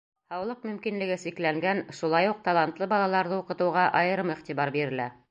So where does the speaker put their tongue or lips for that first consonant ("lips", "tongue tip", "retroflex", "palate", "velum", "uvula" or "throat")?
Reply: throat